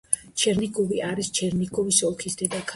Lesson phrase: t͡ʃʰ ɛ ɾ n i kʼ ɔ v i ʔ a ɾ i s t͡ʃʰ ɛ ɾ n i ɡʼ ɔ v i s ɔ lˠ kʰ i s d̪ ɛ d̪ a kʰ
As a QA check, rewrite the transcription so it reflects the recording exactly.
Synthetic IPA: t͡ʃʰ ɛ ɾ n i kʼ ɔ v i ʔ a ɾ i s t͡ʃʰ ɛ ɾ n i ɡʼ ɔ v i s ɔ lˠ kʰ i s d̪ ɛ d̪ a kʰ